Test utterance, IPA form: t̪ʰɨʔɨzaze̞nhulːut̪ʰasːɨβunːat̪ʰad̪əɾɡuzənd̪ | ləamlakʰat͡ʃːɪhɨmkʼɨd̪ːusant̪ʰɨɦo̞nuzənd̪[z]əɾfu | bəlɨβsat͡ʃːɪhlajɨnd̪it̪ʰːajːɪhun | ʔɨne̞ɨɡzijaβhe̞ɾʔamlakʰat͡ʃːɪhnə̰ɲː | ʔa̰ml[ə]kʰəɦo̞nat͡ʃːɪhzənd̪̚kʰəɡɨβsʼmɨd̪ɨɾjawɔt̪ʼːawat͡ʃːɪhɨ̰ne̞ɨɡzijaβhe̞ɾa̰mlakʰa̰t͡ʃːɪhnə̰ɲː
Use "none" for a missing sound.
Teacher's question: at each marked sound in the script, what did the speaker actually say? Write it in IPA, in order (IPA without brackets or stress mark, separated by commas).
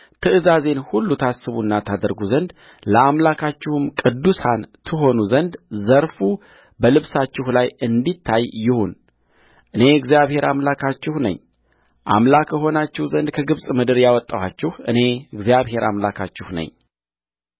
z, a